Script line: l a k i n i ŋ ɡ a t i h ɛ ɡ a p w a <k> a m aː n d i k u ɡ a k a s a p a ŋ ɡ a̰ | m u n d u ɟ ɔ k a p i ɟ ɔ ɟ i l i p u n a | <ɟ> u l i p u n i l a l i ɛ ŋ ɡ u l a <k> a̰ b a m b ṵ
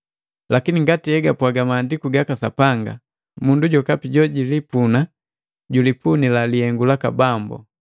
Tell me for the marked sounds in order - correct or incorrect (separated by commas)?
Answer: incorrect, correct, correct